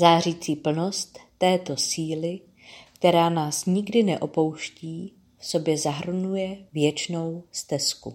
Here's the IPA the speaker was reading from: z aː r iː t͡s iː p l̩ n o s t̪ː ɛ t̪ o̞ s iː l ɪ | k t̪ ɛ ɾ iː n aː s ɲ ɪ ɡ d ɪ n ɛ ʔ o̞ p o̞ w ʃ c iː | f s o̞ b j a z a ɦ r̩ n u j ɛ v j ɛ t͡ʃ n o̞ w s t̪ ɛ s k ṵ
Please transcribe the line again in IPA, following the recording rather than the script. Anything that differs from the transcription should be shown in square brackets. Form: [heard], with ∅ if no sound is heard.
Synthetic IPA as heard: z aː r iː t͡s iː p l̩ n o s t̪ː [ɛː] t̪ o̞ s iː l ɪ | k t̪ ɛ ɾ [aː] n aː s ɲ ɪ ɡ d ɪ n ɛ ʔ o̞ p o̞ w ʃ c iː | f s o̞ b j [ɛ] z a ɦ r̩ n u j ɛ v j ɛ t͡ʃ n o̞ w s t̪ ɛ s k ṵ